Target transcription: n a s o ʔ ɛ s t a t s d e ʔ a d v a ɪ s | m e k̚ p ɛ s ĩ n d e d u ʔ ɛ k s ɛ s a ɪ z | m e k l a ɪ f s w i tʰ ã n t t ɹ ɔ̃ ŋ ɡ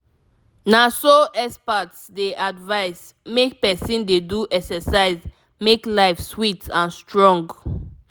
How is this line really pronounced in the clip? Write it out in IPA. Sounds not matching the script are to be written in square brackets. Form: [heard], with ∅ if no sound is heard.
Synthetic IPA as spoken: n a s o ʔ ɛ s [p] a t s d e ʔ a d v a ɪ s | m e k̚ p ɛ s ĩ n d e d u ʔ ɛ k s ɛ s a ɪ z | m e k l a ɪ f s w i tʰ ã n [s] t ɹ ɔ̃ ŋ ɡ